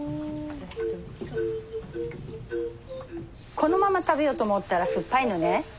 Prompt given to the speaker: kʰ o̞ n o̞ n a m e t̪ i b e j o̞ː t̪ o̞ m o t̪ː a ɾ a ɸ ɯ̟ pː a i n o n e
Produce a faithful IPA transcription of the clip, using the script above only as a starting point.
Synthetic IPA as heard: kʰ o̞ n o̞ m a m a t̪ a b e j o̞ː t̪ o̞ m o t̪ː a ɾ a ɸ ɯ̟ pː a i n o n e